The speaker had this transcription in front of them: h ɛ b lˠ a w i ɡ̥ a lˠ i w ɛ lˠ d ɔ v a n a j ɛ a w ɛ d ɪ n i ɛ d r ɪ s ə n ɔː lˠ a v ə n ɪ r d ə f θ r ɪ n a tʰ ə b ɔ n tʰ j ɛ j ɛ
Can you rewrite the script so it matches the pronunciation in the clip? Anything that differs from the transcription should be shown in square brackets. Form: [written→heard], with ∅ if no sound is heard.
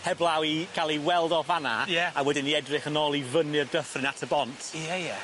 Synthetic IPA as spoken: h ɛ b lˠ a w i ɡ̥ a lˠ i w ɛ lˠ d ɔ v a n a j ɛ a w ɛ d ɪ n i ɛ d r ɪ [s→χ] ə n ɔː lˠ [a→i] v ə n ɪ r d ə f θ r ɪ n a tʰ ə b ɔ n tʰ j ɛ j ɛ